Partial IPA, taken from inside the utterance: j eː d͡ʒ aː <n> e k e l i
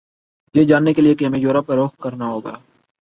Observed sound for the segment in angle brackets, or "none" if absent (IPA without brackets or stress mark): nː